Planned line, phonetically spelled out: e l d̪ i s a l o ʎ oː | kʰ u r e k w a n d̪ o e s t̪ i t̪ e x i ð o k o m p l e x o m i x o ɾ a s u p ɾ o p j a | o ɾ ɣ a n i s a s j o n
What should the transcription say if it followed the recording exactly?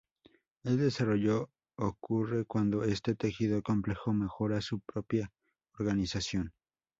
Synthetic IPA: e l d̪ e s a r o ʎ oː | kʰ u r e k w a n d̪ o e s t̪ e t̪ e x i ð o k o m p l e x o m e x o ɾ a s u p ɾ o p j a | o ɾ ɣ a n i s a s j o n